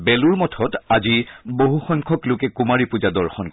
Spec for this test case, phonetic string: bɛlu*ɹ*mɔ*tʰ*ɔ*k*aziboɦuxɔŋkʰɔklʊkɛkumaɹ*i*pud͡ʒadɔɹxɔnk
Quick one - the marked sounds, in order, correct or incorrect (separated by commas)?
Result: correct, correct, incorrect, correct